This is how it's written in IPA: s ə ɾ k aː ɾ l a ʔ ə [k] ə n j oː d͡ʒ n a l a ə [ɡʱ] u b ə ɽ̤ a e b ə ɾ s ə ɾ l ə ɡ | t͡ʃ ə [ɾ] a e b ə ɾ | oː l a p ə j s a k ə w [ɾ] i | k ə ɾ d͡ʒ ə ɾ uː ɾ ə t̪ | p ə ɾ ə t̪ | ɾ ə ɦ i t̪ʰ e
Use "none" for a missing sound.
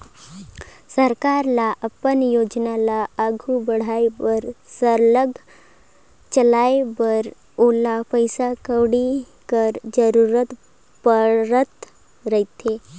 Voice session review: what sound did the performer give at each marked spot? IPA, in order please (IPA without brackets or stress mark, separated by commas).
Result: p, ɡʱ, l, ɽ